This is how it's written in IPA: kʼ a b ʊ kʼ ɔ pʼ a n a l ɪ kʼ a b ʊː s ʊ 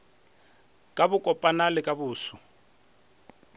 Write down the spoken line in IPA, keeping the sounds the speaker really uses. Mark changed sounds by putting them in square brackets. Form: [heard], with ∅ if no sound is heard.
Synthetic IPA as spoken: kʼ a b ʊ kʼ ɔ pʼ a n a l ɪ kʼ a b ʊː s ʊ